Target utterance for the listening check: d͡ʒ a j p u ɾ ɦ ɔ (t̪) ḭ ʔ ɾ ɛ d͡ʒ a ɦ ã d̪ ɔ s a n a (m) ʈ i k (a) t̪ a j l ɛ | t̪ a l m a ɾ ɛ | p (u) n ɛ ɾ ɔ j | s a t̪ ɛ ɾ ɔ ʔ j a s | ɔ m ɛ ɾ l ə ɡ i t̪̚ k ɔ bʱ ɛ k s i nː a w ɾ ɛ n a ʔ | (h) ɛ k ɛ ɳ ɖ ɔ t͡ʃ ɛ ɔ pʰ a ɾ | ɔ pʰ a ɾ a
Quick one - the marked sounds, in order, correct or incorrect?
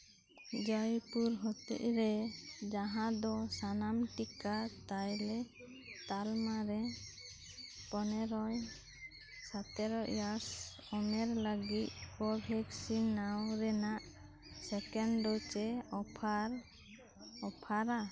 correct, correct, correct, incorrect, incorrect

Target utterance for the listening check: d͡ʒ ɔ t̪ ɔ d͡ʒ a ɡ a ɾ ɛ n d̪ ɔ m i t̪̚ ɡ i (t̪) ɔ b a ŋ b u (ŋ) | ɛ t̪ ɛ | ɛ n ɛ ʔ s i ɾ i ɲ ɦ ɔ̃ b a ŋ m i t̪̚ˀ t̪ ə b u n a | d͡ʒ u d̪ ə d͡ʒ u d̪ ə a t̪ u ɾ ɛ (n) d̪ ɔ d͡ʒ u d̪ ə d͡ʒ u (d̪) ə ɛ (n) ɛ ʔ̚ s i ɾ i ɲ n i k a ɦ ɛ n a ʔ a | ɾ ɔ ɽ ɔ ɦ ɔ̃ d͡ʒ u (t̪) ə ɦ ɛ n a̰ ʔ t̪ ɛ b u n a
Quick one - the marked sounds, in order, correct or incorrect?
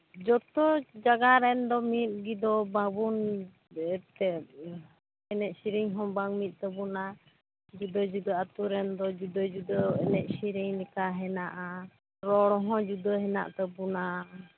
incorrect, incorrect, correct, correct, correct, incorrect

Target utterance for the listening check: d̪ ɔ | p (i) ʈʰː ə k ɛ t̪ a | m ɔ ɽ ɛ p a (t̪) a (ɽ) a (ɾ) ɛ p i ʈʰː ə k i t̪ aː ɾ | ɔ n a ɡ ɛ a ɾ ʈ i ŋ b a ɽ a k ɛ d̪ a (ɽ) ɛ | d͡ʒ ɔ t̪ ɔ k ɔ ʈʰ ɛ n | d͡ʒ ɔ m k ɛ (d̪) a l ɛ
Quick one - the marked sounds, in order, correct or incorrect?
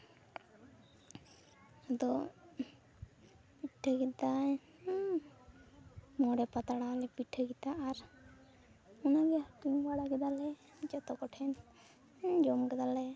correct, correct, correct, incorrect, incorrect, correct

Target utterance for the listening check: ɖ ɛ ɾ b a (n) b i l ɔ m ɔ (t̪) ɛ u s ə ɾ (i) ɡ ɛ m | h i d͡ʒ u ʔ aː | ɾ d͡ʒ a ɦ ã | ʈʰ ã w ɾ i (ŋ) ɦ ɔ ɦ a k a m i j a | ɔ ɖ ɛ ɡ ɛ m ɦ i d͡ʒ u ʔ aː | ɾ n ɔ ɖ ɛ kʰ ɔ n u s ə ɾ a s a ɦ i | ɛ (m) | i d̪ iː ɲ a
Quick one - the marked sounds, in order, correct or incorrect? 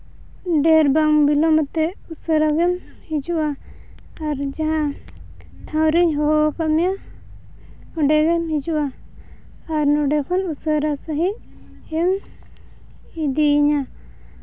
incorrect, correct, incorrect, incorrect, correct

